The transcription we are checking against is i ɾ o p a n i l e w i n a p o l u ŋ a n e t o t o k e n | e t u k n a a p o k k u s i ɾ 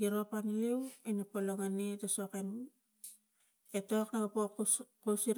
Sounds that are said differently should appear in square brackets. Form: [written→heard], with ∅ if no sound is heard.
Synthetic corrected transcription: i ɾ o p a n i l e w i n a p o l [u→o] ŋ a n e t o [t→s] o k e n | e t [u→o] k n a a p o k k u s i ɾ